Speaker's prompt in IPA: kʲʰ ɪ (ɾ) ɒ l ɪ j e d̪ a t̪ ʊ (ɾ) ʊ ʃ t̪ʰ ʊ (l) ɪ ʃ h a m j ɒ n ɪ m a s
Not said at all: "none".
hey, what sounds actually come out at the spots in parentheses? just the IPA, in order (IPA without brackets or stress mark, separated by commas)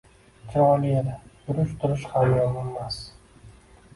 ɾ, ɾ, ɾ